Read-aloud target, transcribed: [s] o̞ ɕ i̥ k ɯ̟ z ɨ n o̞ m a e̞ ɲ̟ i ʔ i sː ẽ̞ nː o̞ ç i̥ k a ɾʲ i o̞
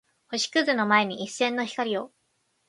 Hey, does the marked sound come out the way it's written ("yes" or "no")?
no